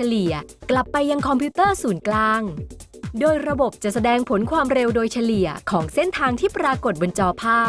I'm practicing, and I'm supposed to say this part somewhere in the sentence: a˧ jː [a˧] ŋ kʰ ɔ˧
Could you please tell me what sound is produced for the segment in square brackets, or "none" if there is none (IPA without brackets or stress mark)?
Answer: a˧